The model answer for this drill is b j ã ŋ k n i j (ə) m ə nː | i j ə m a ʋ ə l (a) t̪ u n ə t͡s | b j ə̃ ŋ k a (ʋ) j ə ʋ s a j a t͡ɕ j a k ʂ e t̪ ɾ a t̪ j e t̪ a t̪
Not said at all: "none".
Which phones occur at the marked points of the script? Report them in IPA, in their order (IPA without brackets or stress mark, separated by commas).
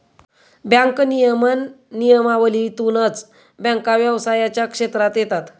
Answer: ə, i, ʋ